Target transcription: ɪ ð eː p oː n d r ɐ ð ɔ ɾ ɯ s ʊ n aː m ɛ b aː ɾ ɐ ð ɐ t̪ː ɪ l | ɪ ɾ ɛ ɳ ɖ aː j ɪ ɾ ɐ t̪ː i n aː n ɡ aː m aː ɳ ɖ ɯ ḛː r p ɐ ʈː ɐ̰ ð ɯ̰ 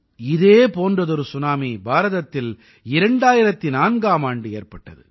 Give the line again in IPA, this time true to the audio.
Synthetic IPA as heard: ɪ ð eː p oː n d r ɐ ð ɔ ɾ ɯ s ʊ n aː m i b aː ɾ ɐ ð ɐ t̪ː ɪ l | ɪ ɾ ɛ ɳ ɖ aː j ɪ ɾ ɐ t̪ː i n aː n ɡ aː m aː ɳ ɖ ɯ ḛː r p ɐ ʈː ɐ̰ ð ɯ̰